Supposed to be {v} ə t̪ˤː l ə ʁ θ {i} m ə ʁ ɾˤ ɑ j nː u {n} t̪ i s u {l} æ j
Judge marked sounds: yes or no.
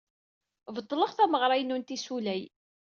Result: yes, no, yes, yes

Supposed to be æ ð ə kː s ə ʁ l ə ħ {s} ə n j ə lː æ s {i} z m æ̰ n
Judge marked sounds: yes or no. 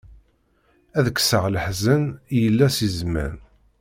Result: no, yes

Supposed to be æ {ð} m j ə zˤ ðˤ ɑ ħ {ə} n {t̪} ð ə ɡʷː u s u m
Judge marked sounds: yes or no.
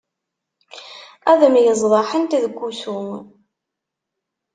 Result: yes, yes, yes

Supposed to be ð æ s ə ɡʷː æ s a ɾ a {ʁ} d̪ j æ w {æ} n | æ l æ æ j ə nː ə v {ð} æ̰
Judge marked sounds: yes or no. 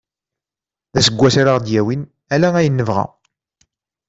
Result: yes, no, no

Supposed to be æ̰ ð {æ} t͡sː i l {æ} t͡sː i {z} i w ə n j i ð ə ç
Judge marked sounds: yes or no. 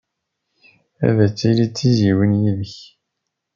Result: yes, no, yes

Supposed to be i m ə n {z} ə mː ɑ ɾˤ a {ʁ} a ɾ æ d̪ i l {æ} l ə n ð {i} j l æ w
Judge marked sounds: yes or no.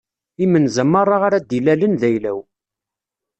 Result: yes, yes, yes, no

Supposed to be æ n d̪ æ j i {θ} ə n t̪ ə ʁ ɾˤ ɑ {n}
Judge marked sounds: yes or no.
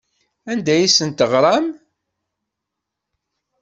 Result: no, no

